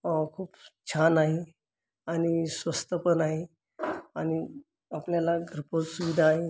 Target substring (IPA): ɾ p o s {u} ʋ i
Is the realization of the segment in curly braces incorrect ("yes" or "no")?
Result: no